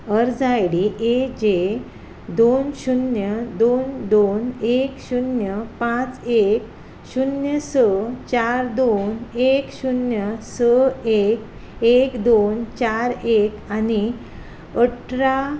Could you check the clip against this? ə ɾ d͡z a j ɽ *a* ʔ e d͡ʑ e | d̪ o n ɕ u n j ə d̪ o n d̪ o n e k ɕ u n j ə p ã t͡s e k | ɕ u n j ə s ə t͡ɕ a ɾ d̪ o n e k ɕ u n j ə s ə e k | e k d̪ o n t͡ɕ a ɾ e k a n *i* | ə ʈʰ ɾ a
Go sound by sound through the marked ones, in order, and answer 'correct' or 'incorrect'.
incorrect: i, correct

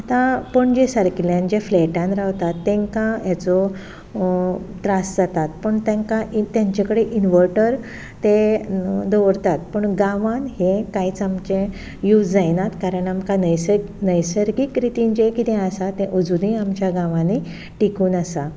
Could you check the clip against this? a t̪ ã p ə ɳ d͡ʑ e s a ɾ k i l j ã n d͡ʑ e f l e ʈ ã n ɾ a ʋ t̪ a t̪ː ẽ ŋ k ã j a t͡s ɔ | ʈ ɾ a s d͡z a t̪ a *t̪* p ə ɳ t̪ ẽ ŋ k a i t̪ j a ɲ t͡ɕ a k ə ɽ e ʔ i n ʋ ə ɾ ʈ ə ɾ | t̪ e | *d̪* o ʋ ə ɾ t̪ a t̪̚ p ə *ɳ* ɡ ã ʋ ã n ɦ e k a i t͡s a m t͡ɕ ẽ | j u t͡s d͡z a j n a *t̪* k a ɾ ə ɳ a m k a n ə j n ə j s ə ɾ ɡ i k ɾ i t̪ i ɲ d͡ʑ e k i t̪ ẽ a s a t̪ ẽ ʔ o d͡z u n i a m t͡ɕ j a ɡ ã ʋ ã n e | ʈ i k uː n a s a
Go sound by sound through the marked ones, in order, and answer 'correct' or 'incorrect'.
correct, correct, correct, correct

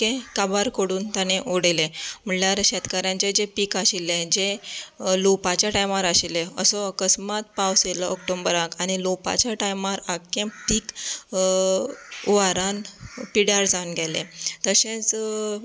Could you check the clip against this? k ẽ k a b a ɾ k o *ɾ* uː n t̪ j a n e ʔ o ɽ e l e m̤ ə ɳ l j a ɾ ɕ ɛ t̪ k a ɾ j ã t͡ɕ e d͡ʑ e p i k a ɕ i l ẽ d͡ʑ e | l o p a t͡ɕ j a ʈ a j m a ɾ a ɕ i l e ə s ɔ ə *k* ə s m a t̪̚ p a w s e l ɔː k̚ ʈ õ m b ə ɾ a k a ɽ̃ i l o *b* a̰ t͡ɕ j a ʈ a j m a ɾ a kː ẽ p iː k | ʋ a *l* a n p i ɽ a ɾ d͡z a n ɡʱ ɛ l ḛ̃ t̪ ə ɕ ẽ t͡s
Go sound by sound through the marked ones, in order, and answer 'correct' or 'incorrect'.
incorrect: ɽ, correct, incorrect: p, incorrect: ɾ

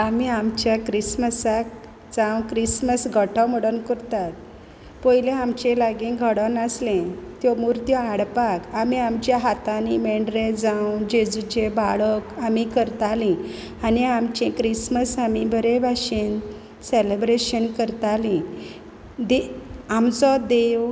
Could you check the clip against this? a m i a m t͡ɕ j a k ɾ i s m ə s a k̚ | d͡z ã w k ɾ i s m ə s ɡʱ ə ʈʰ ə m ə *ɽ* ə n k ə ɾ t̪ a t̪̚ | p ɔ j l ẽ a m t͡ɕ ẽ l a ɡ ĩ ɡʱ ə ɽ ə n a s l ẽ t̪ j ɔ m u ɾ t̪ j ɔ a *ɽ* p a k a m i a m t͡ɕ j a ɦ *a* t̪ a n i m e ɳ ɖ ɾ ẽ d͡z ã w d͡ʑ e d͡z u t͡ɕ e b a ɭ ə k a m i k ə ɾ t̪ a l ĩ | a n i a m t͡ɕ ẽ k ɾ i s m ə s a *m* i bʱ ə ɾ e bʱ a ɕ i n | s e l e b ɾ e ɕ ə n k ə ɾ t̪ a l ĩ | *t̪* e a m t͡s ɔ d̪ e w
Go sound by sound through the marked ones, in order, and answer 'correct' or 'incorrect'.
correct, correct, correct, correct, incorrect: d̪

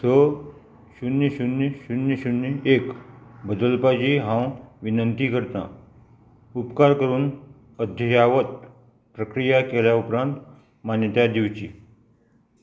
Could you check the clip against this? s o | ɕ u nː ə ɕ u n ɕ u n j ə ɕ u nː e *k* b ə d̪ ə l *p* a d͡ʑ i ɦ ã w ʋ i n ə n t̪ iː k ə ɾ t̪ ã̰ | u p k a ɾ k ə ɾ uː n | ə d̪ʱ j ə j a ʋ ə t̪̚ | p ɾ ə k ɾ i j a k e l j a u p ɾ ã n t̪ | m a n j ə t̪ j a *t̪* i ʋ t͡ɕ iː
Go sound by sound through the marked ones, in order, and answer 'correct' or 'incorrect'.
correct, correct, incorrect: d̪

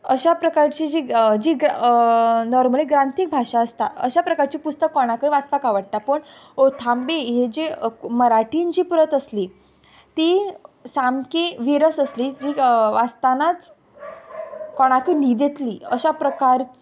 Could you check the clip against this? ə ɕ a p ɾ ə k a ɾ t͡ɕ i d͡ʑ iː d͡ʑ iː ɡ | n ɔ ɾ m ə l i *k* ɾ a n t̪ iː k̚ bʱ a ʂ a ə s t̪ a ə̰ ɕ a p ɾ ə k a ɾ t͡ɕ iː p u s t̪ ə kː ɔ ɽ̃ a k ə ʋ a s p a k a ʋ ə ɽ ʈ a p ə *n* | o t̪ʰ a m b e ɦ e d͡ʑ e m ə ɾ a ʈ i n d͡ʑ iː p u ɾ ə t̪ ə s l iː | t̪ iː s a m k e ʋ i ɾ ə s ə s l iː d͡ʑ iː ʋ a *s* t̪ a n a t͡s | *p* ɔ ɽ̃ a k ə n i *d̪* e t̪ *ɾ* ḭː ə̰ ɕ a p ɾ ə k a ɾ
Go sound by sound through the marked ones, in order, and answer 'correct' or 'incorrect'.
incorrect: ɡ, incorrect: ɳ, correct, incorrect: k, correct, incorrect: l

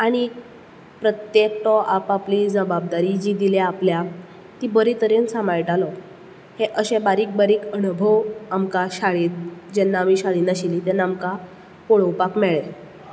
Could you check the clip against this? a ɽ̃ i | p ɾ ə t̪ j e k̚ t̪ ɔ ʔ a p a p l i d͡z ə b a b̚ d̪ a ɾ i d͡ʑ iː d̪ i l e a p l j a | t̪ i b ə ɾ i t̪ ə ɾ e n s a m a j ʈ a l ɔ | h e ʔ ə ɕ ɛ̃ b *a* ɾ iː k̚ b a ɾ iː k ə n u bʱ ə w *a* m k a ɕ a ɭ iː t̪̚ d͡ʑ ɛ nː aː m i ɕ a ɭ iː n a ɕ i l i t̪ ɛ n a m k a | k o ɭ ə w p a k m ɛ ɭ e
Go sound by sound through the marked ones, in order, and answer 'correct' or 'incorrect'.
correct, correct

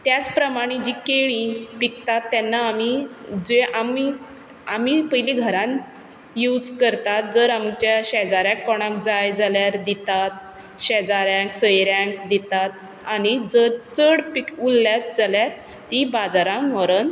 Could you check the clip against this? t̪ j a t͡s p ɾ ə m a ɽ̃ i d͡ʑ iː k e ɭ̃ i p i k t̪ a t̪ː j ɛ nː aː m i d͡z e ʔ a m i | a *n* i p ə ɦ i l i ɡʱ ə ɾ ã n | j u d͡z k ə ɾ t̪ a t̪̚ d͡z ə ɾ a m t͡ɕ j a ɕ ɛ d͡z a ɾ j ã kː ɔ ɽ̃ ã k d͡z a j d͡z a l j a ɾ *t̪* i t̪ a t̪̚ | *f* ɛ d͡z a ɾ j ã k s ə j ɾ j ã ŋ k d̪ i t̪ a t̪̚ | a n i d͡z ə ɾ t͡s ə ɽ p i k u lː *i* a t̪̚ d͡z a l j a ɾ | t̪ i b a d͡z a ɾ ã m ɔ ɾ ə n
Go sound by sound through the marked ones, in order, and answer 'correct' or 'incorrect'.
incorrect: m, incorrect: d̪, incorrect: ɕ, incorrect: j

